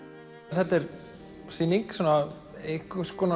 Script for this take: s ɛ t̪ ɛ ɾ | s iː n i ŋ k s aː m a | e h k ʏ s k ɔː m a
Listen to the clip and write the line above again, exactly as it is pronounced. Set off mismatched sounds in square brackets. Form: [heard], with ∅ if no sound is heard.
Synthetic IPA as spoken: [θ] ɛ t̪ ɛ ɾ | s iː n i ŋ k s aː [n] a | e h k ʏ s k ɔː [n] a